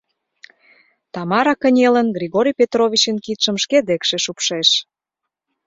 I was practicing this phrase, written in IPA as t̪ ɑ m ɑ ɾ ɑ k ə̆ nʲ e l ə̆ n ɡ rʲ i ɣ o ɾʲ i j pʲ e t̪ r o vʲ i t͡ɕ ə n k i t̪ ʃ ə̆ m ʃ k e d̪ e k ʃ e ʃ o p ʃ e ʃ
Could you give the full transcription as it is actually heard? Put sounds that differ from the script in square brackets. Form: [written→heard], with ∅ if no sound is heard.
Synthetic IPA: t̪ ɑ m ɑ ɾ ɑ k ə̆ nʲ e l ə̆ n ɡ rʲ i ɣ o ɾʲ i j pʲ e t̪ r o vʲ i t͡ɕ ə n k i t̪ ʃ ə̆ m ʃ k e d̪ e k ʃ e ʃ [o→u] p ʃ e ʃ